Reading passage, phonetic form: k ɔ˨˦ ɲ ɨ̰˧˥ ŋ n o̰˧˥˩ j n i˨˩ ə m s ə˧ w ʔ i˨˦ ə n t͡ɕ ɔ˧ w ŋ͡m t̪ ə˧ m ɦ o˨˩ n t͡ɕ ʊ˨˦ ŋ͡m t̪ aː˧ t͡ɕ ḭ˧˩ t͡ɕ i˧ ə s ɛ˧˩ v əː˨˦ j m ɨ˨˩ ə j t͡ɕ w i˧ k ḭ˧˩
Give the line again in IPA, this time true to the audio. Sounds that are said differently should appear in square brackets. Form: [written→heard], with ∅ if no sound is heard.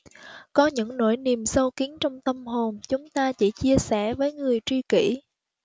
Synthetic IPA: k ɔ˨˦ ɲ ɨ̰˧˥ ŋ n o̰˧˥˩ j n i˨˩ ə m s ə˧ w [ʔ→k] i˨˦ ə n t͡ɕ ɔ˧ w ŋ͡m t̪ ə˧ m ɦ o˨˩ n t͡ɕ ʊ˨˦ ŋ͡m t̪ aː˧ t͡ɕ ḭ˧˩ t͡ɕ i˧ ə s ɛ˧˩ v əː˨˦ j [m→ŋ] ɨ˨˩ ə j t͡ɕ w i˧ k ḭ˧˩